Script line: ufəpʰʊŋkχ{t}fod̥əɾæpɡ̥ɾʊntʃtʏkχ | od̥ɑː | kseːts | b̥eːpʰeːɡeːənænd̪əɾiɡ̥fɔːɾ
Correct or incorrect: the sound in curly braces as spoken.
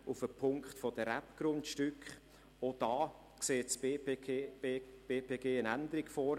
correct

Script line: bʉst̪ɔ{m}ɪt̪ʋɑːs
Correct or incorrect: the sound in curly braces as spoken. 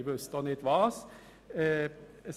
incorrect: n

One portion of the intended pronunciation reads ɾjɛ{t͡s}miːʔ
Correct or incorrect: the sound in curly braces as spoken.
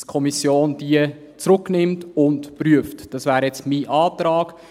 correct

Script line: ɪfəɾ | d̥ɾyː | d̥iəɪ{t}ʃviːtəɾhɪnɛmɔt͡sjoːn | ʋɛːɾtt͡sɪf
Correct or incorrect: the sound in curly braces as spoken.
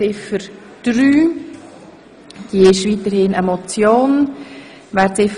incorrect: none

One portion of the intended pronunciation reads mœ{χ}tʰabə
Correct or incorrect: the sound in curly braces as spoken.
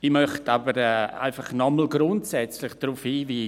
correct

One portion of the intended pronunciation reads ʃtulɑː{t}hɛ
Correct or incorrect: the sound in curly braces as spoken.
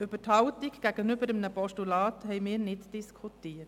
correct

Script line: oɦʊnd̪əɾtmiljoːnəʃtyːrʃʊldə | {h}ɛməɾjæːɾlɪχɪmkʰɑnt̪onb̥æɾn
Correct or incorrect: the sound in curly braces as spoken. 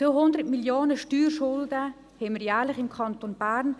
correct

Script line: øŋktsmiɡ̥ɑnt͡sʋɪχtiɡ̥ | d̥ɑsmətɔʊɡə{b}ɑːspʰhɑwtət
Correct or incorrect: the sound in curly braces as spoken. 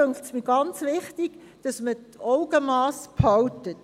incorrect: m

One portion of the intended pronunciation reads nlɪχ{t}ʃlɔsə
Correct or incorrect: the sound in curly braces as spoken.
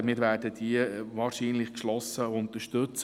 incorrect: k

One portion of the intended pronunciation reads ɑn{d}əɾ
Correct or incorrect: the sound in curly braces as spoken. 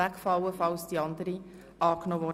correct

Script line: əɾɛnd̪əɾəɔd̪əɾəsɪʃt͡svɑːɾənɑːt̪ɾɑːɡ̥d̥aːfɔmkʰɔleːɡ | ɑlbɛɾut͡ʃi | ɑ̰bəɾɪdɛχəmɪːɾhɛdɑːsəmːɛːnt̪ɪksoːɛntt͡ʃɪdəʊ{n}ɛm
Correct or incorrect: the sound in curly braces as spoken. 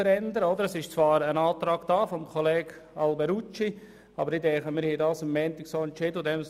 incorrect: d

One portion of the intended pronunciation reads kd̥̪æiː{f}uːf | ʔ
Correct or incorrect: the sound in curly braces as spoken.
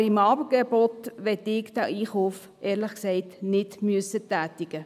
incorrect: χ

